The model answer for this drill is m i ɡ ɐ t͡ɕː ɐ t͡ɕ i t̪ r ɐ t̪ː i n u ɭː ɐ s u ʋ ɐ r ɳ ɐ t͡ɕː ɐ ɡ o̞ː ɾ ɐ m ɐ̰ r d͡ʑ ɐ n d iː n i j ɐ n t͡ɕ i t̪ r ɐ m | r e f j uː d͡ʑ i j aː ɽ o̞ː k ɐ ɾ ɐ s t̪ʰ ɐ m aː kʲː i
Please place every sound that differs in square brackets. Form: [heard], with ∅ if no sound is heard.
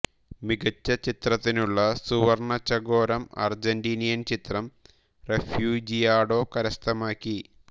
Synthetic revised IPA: m i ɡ ɐ t͡ɕː ɐ t͡ɕ i t̪ r ɐ t̪ː i n u ɭː ɐ s u ʋ ɐ r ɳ ɐ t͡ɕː ɐ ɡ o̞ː ɾ ɐ m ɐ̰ r d͡ʑ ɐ n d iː n i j ɐ n t͡ɕ i t̪ r ɐ m | r e f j uː d͡ʑ i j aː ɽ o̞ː k ɐ ɾ ɐ s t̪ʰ ɐ m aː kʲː i